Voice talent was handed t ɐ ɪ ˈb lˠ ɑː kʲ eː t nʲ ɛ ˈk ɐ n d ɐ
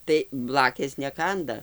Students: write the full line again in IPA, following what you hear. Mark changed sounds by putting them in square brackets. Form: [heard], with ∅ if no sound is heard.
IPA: t ɐ ɪ ˈb lˠ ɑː kʲ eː [s] nʲ ɛ ˈk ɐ n d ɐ